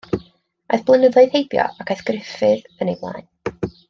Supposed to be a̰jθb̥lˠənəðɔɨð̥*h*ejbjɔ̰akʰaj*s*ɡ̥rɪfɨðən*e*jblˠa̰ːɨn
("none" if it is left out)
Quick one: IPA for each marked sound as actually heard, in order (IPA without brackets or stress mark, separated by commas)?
h, θ, e